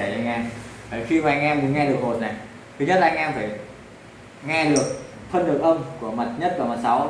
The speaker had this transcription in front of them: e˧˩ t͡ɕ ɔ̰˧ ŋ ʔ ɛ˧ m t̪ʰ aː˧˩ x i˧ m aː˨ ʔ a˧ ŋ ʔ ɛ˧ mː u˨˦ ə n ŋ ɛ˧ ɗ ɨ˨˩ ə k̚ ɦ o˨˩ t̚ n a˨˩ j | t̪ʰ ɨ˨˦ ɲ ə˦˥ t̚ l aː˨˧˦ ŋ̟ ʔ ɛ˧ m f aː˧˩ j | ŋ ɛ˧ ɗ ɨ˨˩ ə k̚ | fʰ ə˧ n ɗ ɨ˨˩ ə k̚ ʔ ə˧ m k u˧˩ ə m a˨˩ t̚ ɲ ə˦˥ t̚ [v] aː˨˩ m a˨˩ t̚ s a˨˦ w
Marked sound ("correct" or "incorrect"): correct